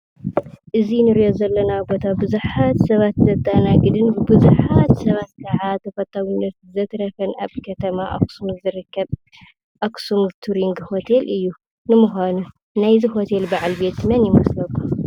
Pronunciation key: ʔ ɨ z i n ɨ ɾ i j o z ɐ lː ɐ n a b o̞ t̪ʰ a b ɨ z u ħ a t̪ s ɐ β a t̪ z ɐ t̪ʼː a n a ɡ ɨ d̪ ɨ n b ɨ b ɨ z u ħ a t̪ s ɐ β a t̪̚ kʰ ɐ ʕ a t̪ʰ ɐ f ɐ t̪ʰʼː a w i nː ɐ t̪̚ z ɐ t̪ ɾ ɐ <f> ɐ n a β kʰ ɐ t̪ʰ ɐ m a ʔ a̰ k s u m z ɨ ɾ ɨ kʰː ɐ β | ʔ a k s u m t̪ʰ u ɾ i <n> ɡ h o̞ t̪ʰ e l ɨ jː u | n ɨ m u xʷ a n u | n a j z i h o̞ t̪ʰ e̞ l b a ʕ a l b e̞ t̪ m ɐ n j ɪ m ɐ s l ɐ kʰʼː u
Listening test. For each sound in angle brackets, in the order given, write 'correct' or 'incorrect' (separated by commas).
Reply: correct, incorrect